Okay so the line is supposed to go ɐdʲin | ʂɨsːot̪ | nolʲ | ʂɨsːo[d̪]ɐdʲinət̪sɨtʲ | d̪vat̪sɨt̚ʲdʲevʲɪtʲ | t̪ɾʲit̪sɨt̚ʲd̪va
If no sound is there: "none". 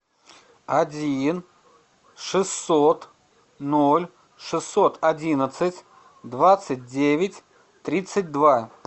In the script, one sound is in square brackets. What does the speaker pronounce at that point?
t̪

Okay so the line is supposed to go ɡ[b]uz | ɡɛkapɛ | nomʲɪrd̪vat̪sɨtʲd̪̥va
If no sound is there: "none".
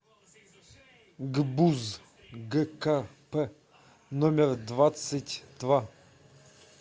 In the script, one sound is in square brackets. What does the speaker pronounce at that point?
b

